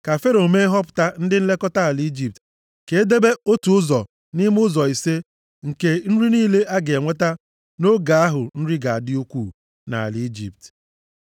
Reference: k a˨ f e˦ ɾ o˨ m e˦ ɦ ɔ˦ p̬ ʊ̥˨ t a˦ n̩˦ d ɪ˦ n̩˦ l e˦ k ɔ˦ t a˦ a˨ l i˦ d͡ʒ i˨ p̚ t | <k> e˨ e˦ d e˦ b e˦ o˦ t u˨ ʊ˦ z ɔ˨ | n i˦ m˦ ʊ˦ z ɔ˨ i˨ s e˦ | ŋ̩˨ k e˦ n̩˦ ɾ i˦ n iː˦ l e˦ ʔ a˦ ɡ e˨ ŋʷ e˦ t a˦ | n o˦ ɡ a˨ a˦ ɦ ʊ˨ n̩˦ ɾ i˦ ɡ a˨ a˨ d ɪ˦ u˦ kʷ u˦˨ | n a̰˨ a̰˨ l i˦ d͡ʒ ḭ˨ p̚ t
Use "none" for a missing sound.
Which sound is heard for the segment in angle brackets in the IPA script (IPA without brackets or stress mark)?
k